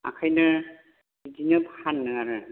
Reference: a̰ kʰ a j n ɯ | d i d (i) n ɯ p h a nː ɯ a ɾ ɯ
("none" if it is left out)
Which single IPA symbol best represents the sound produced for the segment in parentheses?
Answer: i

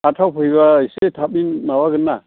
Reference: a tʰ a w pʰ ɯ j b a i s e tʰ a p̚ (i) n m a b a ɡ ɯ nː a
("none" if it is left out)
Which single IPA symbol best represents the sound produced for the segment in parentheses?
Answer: i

